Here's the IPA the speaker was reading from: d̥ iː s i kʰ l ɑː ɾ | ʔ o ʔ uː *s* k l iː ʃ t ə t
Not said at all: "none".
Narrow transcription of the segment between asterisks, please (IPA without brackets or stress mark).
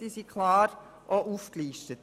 f